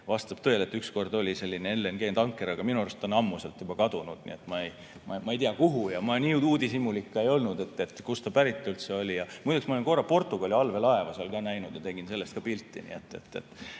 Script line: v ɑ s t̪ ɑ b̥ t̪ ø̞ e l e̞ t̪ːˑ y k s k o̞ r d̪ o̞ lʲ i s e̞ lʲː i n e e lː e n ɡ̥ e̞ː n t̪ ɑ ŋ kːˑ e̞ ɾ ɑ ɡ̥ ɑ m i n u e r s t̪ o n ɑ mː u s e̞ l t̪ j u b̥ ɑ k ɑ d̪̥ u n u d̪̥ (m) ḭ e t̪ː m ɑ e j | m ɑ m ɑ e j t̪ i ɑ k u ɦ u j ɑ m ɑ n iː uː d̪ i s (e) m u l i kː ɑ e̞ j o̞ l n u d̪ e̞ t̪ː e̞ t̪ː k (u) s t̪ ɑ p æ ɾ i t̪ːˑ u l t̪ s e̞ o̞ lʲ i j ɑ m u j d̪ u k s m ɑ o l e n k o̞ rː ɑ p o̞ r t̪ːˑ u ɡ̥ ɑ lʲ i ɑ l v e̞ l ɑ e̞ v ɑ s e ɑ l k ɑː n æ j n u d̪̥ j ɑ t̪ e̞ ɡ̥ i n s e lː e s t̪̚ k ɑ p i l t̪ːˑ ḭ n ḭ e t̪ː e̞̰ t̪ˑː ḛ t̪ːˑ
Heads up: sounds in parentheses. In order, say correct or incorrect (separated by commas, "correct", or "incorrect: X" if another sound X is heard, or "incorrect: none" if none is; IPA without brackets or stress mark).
incorrect: n, incorrect: i, correct